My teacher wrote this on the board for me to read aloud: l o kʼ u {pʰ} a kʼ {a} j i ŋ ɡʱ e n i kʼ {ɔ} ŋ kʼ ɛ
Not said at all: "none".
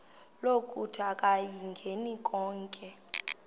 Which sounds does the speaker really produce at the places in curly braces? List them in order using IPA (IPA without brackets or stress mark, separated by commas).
tʰ, a, ɔː